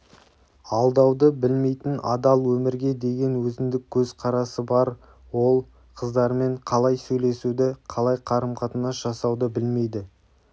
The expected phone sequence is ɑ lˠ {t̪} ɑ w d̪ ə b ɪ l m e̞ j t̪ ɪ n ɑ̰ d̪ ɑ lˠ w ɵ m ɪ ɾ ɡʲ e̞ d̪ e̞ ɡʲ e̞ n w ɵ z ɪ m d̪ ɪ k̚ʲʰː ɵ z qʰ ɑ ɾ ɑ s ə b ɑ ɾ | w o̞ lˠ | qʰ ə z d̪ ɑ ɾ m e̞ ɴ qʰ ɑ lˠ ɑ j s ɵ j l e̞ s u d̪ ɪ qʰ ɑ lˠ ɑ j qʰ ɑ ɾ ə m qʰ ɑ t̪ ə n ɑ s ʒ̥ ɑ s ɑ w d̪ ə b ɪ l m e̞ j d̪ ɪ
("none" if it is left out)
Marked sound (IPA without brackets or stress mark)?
d̪